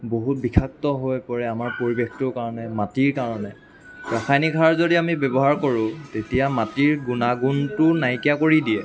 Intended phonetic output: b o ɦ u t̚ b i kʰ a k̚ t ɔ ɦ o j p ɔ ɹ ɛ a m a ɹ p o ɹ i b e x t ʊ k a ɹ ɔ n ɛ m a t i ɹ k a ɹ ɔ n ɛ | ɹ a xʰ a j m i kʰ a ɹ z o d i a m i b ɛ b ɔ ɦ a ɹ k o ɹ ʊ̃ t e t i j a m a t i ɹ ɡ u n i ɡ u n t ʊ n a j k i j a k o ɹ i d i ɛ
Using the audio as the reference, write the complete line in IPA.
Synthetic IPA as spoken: b o ɦ u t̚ b i kʰ a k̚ t ɔ ɦ o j p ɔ ɹ ɛ a m a ɹ p o ɹ i b e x t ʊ k a ɹ ɔ n ɛ m a t i ɹ k a ɹ ɔ n ɛ | ɹ a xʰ a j n i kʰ a ɹ z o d i a m i b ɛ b ɔ ɦ a ɹ k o ɹ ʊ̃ t e t i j a m a t i ɹ ɡ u n a ɡ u n t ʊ n a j k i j a k o ɹ i d i ɛ